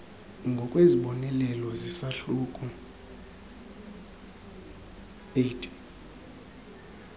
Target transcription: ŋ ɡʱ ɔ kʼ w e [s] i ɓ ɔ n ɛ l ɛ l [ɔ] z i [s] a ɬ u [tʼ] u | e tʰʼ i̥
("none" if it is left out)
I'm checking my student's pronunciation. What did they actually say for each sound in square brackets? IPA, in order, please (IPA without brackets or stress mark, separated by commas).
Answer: z, ɔ, s, kʼ